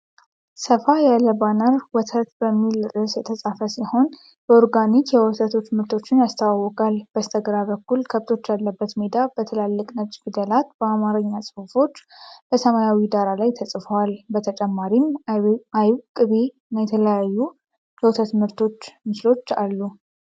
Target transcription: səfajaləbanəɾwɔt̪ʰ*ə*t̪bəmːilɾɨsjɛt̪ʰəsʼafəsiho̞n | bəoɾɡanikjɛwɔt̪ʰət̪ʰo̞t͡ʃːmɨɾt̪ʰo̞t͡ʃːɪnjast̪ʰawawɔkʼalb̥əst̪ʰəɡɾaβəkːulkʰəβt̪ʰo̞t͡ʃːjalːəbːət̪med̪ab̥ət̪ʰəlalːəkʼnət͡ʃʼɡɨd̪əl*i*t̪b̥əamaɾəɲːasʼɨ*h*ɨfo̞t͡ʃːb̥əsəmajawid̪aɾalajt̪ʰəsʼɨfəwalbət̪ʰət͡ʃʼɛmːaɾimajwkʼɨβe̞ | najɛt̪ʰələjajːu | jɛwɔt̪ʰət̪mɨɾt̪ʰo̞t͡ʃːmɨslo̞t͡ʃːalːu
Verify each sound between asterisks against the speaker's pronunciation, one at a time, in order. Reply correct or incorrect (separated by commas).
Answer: correct, incorrect, incorrect